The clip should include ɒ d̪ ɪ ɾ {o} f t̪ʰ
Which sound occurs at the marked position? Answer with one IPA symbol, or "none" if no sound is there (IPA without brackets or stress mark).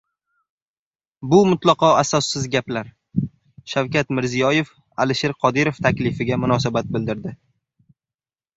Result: o